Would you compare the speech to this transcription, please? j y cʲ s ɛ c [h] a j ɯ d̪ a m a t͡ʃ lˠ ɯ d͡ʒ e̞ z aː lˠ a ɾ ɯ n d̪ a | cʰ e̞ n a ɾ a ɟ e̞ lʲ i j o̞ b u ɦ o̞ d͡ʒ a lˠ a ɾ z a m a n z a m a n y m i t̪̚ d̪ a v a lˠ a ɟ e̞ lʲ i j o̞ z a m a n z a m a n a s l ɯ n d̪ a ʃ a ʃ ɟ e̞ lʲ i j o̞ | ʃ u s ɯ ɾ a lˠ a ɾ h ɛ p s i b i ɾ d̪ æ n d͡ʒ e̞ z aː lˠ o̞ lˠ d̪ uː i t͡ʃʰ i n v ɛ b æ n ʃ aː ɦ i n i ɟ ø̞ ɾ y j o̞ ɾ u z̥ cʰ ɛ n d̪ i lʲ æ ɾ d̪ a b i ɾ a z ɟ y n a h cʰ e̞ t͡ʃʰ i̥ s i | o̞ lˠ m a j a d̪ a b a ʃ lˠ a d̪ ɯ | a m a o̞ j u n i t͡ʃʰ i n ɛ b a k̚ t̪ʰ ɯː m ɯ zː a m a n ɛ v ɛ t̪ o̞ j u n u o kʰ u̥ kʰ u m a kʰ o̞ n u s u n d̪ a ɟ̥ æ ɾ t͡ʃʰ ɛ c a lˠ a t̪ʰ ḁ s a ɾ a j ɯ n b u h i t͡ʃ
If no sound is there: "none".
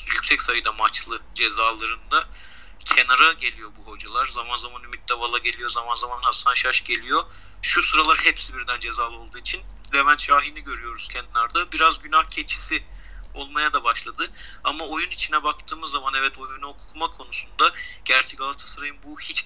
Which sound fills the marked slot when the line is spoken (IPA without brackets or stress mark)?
s